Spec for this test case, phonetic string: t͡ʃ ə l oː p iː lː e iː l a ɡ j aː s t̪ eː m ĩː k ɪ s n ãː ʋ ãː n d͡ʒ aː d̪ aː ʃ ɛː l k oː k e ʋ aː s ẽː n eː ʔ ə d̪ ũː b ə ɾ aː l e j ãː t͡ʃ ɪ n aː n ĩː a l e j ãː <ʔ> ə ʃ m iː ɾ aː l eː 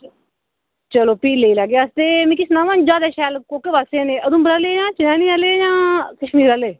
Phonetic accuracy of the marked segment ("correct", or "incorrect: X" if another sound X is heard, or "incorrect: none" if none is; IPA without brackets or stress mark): incorrect: k